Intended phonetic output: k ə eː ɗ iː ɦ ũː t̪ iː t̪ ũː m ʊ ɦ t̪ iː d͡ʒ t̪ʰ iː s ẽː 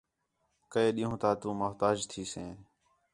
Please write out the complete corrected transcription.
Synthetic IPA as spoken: k ə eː ɗ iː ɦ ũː t̪ aː t̪ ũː m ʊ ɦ t̪ aː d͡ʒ t̪ʰ iː s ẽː